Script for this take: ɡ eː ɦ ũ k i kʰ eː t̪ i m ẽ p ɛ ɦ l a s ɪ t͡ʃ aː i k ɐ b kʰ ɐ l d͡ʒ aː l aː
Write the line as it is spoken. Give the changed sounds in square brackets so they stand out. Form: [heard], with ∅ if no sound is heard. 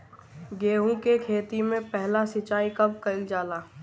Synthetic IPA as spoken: ɡ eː ɦ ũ k [e] kʰ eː t̪ i m ẽ p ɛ ɦ l a s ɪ t͡ʃ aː i k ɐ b [k] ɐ l d͡ʒ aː l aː